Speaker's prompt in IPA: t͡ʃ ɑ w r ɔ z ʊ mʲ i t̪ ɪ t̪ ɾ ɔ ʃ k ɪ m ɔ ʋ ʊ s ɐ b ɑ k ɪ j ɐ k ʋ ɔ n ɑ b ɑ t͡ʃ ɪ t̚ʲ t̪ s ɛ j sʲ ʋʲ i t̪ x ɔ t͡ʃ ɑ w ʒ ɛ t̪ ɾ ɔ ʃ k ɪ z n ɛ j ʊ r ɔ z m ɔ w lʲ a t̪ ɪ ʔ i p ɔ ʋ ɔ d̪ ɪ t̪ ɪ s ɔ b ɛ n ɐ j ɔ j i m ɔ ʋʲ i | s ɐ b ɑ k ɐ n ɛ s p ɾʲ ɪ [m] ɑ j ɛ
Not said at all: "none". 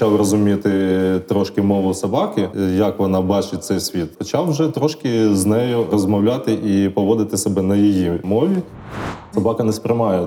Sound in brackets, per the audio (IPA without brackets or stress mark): m